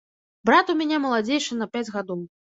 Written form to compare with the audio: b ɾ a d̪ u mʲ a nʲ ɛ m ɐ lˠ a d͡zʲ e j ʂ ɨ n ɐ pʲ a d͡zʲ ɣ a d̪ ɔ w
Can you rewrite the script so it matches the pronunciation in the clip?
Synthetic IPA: b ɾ a t̪ u mʲ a nʲ ɛ m ɐ lˠ a d͡zʲ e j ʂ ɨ n ɐ pʲ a d͡zʲ ɣ a d̪ ɔ w